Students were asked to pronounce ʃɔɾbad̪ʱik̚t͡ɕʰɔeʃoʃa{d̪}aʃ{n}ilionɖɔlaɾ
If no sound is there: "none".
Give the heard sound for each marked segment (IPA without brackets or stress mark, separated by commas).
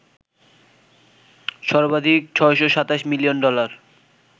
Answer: t̪, m